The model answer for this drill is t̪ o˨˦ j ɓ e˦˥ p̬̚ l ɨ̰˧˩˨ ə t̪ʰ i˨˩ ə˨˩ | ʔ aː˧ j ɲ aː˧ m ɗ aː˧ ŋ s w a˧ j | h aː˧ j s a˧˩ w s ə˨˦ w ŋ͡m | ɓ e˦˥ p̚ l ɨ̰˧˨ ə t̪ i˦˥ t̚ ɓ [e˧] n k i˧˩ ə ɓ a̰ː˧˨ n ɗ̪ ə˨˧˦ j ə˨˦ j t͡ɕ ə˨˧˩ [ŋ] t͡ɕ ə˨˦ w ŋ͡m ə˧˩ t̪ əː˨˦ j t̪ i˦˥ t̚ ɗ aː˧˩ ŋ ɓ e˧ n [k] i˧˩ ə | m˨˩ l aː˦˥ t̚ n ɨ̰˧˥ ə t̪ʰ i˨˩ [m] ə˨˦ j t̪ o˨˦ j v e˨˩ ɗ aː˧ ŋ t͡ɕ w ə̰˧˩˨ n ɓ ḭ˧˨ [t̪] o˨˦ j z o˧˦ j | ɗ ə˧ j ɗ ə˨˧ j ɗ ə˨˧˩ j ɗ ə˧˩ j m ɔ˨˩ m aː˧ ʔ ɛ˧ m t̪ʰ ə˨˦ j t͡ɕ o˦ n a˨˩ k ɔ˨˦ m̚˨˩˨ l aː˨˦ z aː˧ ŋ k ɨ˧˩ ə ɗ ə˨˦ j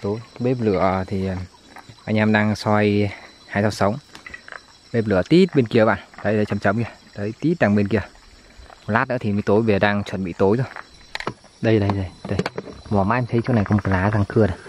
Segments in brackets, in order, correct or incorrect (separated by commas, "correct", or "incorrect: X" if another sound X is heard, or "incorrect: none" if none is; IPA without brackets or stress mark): correct, incorrect: m, correct, correct, correct